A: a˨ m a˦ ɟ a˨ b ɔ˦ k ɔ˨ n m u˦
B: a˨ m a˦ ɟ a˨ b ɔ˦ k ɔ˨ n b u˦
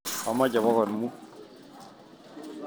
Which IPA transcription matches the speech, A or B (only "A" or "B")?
A